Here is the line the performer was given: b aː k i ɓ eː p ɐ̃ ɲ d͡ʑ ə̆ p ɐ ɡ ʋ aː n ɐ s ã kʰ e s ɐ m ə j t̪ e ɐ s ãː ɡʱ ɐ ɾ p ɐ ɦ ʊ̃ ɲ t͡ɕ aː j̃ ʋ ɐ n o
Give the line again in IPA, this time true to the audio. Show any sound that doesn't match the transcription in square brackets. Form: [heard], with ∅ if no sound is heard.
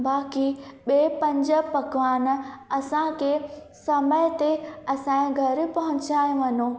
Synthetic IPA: b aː k i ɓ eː p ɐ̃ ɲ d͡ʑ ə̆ p ɐ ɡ ʋ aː n ɐ s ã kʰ e s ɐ m ə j t̪ e ɐ s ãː ɡʱ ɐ ɾ p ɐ ɦ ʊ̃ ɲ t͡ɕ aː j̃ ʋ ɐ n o

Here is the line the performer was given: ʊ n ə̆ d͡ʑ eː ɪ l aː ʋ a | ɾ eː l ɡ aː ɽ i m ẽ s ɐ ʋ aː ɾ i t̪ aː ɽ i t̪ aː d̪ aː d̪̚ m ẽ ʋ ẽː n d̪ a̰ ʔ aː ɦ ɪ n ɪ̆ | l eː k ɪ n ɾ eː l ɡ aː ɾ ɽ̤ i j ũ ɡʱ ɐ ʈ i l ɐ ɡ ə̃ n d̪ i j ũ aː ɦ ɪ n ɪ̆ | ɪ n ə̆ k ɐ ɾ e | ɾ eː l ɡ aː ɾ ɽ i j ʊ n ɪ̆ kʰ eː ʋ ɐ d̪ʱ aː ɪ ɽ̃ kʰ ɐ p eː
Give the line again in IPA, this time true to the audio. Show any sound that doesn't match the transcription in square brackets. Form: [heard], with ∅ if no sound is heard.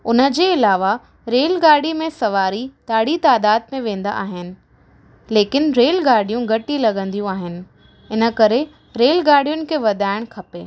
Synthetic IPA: ʊ n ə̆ d͡ʑ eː ɪ l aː ʋ a | ɾ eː l ɡ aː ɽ i m ẽ s ɐ ʋ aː ɾ i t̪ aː ɽ i t̪ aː d̪ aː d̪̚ m ẽ ʋ ẽː n d̪ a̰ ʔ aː ɦ ɪ n ɪ̆ | l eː k ɪ n ɾ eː l ɡ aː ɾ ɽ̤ i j ũ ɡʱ ɐ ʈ i l ɐ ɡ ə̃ n d̪ i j ũ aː ɦ ɪ n ɪ̆ | ɪ n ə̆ k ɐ ɾ e | ɾ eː l ɡ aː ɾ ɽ i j ʊ n ɪ̆ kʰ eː ʋ ɐ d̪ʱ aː ɪ ɽ̃ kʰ ɐ p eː

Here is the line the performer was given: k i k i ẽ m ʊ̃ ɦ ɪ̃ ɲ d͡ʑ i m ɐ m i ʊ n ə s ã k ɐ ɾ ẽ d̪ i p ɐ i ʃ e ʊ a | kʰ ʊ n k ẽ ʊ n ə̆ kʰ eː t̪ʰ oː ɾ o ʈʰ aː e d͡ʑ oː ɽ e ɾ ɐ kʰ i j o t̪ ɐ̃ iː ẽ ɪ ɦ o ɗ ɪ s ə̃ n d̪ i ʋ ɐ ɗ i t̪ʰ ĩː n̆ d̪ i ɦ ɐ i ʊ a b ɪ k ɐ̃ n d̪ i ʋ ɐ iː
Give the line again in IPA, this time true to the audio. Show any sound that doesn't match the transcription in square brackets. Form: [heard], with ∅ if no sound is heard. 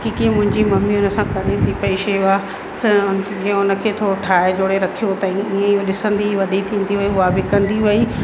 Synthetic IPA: k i k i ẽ m ʊ̃ ɦ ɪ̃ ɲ d͡ʑ i m ɐ m i ʊ n ə s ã k ɐ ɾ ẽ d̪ i p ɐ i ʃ e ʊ a | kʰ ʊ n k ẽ ʊ n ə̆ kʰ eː t̪ʰ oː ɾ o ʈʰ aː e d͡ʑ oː ɽ e ɾ ɐ kʰ i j o t̪ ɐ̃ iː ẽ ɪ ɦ o ɗ ɪ s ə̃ n d̪ i ʋ ɐ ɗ i t̪ʰ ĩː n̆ d̪ i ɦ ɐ i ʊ a b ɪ k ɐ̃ n d̪ i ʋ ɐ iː

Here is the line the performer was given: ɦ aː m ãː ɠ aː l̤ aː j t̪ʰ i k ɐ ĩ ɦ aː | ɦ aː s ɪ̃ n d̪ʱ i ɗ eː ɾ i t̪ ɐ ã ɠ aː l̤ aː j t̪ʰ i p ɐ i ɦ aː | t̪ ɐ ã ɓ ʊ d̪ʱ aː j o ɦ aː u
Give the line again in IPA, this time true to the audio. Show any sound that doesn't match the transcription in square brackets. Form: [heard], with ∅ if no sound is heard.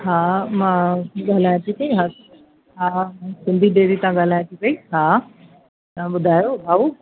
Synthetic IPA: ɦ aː m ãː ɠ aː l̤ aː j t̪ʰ i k ɐ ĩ ɦ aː | ɦ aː s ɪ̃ n d̪ʱ i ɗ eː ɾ i t̪ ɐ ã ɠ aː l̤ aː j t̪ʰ i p ɐ i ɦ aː | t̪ ɐ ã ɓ ʊ d̪ʱ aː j o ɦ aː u

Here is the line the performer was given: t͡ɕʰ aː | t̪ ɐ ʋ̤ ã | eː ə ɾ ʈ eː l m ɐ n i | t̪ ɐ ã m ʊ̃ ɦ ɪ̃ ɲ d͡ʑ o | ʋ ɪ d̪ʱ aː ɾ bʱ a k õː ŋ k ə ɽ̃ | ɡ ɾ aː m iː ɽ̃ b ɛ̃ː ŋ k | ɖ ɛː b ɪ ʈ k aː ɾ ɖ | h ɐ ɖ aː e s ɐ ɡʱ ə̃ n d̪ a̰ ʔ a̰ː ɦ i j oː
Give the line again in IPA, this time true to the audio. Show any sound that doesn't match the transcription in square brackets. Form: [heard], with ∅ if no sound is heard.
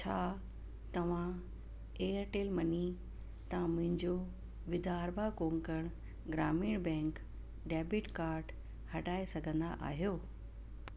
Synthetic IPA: t͡ɕʰ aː | t̪ ɐ ʋ̤ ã | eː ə ɾ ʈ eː l m ɐ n i | t̪ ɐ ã m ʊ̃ ɦ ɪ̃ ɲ d͡ʑ o | ʋ ɪ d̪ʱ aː ɾ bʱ a k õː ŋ k ə ɽ̃ | ɡ ɾ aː m iː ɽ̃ b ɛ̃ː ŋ k | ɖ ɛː b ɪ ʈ k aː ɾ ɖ | h ɐ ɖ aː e s ɐ ɡʱ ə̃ n d̪ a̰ ʔ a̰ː ɦ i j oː

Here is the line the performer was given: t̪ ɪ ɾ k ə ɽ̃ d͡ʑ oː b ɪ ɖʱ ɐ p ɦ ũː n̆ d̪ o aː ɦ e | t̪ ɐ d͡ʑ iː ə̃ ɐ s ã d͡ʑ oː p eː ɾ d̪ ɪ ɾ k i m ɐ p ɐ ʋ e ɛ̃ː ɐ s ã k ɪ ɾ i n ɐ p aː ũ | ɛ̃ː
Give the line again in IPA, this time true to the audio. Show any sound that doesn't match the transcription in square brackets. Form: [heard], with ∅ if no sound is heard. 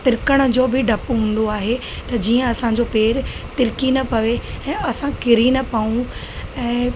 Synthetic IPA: t̪ ɪ ɾ k ə ɽ̃ d͡ʑ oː b ɪ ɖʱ ɐ p ɦ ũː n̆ d̪ o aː ɦ e | t̪ ɐ d͡ʑ iː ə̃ ɐ s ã d͡ʑ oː p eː ɾ [t̪] ɪ ɾ k i [n] ɐ p ɐ ʋ e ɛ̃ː ɐ s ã k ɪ ɾ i n ɐ p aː ũ | ɛ̃ː

